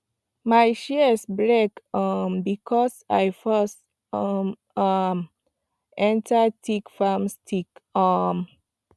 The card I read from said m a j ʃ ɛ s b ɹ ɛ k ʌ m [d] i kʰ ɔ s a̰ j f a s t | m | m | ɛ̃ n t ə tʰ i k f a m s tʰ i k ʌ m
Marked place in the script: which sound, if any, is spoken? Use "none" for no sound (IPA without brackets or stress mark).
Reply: b